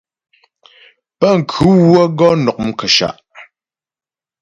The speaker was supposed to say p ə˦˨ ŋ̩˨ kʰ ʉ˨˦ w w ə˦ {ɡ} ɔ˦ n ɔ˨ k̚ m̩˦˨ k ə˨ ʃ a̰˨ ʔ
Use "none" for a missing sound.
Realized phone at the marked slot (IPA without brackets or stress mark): ɡ